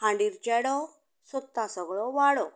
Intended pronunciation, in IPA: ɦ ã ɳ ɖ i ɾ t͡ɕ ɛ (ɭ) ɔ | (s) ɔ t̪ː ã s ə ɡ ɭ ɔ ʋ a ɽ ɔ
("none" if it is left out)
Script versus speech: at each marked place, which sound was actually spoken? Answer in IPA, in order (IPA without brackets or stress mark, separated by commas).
ɽ, s